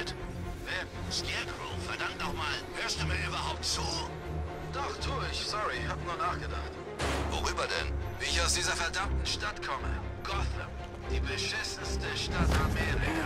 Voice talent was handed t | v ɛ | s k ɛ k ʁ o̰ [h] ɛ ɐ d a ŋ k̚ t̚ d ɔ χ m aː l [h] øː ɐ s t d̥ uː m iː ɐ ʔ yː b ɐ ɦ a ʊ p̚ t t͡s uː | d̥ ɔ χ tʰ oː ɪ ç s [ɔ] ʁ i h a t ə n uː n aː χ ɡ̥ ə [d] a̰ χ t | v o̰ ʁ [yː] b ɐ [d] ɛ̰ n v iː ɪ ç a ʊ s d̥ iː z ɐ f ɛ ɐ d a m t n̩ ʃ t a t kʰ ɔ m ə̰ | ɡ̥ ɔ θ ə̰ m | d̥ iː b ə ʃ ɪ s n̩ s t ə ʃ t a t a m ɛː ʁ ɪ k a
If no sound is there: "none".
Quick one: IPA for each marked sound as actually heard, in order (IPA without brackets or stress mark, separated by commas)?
f, h, ɔ, d, yː, d